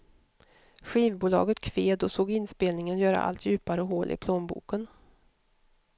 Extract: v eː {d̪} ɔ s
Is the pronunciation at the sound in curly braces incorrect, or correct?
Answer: correct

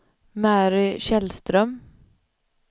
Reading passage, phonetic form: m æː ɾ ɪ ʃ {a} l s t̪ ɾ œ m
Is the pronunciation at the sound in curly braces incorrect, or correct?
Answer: incorrect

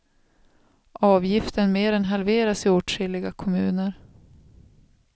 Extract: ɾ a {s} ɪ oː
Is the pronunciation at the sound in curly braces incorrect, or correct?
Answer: correct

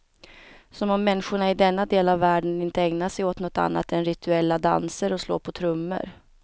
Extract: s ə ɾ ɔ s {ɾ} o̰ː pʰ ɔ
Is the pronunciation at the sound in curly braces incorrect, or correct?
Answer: incorrect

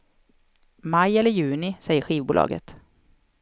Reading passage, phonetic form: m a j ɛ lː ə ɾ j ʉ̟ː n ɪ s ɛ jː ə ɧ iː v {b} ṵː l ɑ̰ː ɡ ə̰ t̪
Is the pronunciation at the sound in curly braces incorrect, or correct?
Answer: correct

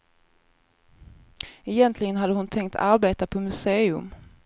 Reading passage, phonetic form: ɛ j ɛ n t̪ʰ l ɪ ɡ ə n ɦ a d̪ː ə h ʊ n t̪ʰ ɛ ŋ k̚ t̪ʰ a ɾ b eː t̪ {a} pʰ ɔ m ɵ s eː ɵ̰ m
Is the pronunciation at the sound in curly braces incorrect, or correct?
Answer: correct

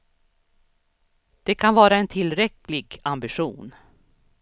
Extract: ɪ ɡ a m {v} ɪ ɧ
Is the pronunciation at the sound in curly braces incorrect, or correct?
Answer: incorrect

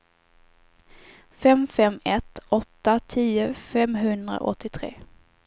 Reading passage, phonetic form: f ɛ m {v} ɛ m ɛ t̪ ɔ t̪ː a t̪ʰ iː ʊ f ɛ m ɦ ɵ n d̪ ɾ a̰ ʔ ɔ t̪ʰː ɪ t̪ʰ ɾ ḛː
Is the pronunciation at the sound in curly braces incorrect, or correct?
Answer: incorrect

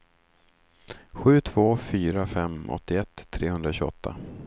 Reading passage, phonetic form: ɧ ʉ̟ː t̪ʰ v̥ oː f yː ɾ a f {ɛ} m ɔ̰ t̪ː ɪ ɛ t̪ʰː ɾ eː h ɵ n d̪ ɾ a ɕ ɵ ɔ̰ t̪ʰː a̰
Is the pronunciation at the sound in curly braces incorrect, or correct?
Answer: correct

